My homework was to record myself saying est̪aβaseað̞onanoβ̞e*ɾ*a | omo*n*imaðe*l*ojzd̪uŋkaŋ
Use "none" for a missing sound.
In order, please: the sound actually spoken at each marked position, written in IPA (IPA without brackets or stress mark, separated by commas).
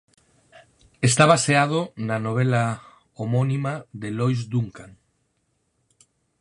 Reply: l, n, l